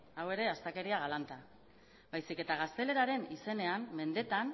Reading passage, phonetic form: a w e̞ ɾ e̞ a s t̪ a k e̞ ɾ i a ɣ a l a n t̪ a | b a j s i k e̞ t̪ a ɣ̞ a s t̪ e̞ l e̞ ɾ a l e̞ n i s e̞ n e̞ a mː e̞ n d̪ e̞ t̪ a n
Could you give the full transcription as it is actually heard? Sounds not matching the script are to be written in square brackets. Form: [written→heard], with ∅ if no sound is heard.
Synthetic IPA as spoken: a w e̞ ɾ e̞ a s t̪ a k e̞ ɾ i a ɣ a l a n t̪ a | b a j s i k e̞ t̪ a ɣ̞ a s t̪ e̞ l e̞ ɾ a [l→ɾ] e̞ n i s e̞ n e̞ a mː e̞ n d̪ e̞ t̪ a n